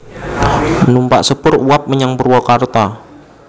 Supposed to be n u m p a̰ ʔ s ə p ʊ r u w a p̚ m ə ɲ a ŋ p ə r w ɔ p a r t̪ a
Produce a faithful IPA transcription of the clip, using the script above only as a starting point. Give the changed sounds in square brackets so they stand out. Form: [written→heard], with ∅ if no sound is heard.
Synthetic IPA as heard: n u m p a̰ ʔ s ə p ʊ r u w a p̚ m ə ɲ a ŋ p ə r w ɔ [p→k] a r t̪ a